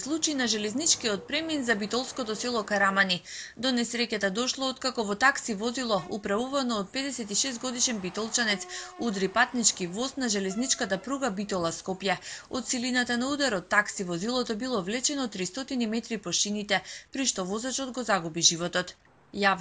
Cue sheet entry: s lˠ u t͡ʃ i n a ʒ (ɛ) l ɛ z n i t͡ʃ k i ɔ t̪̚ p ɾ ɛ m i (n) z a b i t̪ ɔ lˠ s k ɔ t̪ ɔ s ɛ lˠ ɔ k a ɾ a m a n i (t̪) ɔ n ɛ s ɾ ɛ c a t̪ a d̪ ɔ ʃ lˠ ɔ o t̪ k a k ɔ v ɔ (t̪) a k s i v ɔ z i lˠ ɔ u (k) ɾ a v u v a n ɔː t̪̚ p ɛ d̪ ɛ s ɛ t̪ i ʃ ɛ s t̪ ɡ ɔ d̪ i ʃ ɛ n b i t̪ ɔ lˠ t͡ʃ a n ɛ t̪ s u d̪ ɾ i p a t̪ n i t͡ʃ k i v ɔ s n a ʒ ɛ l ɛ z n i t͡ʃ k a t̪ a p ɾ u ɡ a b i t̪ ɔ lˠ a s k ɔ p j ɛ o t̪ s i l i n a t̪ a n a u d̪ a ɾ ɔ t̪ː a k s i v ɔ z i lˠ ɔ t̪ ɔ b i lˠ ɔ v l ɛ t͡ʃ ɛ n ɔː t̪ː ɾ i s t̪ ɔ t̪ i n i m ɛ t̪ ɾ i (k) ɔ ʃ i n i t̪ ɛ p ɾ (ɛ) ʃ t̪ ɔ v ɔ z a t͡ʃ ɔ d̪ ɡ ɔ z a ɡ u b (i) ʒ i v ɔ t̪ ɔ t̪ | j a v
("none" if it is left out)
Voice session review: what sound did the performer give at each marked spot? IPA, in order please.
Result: ɛ, n, d̪, t̪, p, p, i, i

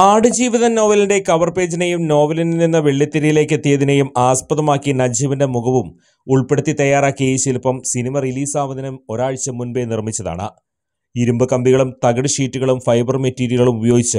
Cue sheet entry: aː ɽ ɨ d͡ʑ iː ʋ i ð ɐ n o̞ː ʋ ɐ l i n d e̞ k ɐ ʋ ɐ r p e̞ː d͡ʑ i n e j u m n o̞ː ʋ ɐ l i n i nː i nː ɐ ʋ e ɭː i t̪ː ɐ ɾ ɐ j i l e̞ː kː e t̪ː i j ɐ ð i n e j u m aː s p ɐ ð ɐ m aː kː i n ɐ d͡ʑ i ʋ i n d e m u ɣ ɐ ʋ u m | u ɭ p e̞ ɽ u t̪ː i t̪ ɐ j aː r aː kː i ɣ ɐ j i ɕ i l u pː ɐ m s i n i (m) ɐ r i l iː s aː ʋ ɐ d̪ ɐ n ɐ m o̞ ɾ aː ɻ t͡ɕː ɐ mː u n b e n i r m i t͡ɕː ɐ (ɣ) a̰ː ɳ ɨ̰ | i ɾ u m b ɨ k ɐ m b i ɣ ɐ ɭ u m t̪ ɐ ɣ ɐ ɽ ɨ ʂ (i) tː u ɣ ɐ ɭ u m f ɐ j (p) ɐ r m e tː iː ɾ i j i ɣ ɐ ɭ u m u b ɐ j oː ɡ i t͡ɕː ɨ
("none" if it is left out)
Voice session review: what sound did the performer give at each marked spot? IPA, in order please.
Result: m, ð, iː, b

